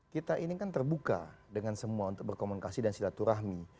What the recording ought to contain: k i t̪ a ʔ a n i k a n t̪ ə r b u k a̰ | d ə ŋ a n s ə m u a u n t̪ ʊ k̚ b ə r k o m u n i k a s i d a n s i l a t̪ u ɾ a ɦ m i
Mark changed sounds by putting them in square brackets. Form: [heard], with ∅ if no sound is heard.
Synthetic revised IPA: k i t̪ a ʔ [i] n i k a n t̪ ə r b u k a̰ | d ə ŋ a n s ə m u a u n t̪ ʊ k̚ b ə r k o m u n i k a s i d a n s i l a t̪ u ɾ a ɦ m i